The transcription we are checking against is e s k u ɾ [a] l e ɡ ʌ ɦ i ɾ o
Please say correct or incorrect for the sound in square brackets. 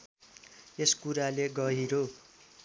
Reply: correct